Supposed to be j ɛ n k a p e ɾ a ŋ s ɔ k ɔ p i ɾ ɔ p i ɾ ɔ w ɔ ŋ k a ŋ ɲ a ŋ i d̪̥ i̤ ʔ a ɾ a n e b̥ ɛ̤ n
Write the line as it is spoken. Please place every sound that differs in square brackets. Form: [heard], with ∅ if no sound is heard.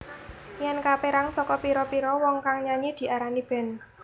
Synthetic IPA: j ɛ n k a p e ɾ a ŋ s ɔ k ɔ p i ɾ ɔ p i ɾ ɔ w ɔ ŋ k a ŋ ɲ a [ɲ] i d̪̥ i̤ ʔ a ɾ a n [i] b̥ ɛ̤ n